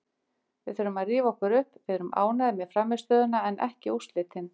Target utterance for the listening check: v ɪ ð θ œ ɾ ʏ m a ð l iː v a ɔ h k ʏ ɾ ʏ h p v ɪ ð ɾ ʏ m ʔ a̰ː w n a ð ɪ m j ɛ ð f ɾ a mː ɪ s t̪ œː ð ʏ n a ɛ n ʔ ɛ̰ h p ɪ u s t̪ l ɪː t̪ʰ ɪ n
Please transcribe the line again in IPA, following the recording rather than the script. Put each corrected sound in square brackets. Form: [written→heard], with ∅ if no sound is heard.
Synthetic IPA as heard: v ɪ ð θ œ ɾ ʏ m a ð [l→r] iː v a ɔ h k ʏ ɾ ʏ h p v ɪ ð ɾ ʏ m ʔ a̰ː w n a ð ɪ m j ɛ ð f ɾ a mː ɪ s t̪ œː ð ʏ n a ɛ n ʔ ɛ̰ h [p→c] ɪ u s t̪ l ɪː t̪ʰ ɪ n

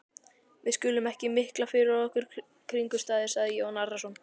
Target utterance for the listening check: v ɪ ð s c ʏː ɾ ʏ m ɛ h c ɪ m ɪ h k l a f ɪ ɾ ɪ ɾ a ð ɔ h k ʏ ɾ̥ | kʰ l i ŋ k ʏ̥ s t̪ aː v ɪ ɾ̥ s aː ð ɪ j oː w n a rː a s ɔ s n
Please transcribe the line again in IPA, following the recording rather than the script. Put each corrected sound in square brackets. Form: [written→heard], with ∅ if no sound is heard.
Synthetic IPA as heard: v ɪ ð s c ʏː [ɾ→l] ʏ m ɛ h c ɪ m ɪ h k l a f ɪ ɾ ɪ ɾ a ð ɔ h k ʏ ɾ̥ | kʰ [l→ɾ] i ŋ k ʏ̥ s t̪ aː [v→ð] ɪ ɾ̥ s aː ð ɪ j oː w n a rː a s ɔ [s→∅] n

